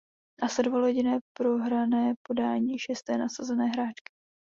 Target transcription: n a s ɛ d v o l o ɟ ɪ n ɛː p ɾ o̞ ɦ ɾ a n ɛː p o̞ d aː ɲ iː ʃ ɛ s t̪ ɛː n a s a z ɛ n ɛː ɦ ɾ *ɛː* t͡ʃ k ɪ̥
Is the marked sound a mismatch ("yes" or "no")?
yes